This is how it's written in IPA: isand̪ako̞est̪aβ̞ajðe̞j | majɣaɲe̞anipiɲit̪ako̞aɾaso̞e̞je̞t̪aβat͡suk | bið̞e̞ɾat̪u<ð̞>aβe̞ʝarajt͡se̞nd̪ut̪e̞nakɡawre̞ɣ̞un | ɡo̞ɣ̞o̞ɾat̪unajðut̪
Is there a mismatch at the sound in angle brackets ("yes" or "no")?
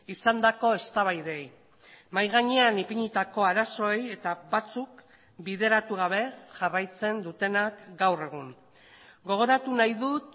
yes